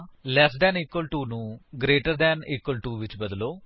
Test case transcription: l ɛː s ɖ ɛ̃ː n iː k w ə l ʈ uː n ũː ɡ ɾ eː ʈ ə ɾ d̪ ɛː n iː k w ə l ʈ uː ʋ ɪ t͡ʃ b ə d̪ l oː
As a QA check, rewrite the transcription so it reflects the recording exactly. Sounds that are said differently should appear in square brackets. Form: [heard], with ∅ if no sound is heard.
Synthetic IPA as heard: l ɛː s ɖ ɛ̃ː n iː k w ə l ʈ uː n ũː ɡ ɾ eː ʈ ə ɾ d̪ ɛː n iː k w ə l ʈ uː ʋ ɪ t͡ʃ b ə d̪ l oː